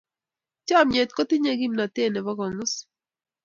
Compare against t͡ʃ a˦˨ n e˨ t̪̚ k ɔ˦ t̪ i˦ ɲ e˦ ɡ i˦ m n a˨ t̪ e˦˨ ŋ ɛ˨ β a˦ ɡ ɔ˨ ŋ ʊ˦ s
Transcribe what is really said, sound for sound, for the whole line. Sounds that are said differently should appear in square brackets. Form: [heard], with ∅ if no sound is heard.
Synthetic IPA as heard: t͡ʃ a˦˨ [m] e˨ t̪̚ k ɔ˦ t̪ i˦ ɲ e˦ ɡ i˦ m n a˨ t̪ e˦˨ [n] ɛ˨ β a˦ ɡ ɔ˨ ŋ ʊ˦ s